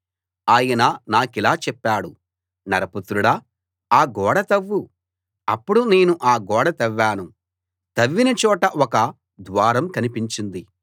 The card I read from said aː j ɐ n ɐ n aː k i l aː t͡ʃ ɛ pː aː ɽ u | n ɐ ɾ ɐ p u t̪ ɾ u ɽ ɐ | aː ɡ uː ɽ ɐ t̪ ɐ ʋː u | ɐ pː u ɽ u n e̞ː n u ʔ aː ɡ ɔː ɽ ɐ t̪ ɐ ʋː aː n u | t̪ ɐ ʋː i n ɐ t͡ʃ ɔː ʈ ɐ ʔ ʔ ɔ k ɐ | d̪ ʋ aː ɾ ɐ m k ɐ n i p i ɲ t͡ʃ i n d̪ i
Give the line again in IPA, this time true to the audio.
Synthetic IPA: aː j ɐ n ɐ n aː k i l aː t͡ʃ ɛ pː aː ɽ u | n ɐ ɾ ɐ p u t̪ ɾ u ɽ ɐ | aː ɡ ɔː ɽ ɐ t̪ ɐ ʋː u | ɐ pː u ɽ u n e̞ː n u ʔ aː ɡ ɔː ɽ ɐ t̪ ɐ ʋː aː n u | t̪ ɐ ʋː i n ɐ t͡ʃ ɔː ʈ ɐ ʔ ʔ ɔ k ɐ | d̪ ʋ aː ɾ ɐ m k ɐ n i p i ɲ t͡ʃ i n d̪ i